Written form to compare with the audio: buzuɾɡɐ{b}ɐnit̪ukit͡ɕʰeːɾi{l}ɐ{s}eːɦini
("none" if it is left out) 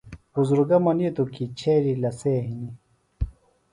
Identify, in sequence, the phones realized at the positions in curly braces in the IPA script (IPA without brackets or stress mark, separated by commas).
m, l, s